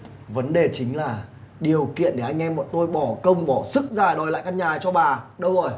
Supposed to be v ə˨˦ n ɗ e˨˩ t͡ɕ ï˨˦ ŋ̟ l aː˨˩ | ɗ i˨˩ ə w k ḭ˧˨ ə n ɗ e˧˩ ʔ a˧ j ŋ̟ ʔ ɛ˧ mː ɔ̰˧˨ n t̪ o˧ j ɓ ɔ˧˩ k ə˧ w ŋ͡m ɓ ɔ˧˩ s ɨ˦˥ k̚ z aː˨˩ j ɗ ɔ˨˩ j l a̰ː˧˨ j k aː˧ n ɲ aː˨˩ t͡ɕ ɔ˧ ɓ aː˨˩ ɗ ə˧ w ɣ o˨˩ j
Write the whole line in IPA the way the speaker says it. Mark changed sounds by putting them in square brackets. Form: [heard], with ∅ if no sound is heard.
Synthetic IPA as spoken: v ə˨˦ n ɗ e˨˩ t͡ɕ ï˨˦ ŋ̟ l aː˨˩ | ɗ i˨˩ ə w k ḭ˧˨ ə n ɗ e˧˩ ʔ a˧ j ŋ̟ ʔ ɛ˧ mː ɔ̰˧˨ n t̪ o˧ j ɓ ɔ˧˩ k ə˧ w ŋ͡m ɓ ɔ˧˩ s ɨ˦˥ k̚ z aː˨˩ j ɗ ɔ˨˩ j l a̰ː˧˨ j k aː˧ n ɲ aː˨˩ t͡ɕ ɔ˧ ɓ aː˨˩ ɗ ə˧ w [z] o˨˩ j